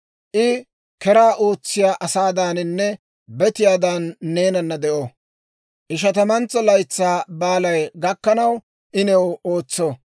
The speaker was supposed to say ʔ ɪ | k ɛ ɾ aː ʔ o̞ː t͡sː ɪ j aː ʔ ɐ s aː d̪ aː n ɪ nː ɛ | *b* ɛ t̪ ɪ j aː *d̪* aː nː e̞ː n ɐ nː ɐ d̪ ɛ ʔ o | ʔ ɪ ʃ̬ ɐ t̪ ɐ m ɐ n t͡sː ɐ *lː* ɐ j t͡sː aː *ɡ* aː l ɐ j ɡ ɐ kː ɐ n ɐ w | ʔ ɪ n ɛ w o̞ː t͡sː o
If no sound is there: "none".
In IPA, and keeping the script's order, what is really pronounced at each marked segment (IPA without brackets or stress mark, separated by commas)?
b, d̪, l, b